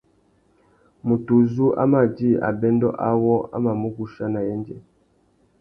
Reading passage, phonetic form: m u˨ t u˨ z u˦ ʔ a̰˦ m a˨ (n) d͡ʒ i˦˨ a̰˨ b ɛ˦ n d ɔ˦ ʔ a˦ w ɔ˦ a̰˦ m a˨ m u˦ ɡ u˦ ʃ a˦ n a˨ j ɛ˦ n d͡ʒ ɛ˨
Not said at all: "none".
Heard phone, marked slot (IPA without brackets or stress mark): none